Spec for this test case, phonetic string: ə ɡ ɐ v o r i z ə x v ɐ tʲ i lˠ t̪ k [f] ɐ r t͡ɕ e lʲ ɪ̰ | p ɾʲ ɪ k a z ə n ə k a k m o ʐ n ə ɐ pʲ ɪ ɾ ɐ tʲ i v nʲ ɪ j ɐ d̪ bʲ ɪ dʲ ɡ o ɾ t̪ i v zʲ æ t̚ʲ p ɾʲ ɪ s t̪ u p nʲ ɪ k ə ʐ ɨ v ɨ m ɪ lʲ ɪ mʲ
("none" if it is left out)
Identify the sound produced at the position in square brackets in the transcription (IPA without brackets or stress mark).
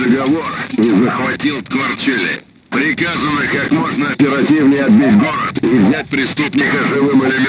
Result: v